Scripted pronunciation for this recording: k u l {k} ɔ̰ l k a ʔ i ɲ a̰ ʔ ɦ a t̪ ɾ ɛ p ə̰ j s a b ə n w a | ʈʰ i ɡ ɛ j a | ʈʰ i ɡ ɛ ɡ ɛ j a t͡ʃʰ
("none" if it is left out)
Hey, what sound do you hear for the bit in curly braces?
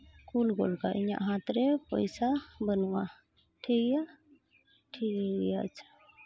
ɡ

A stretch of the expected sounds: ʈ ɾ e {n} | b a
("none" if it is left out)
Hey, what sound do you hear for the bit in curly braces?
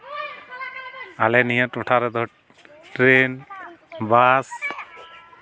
n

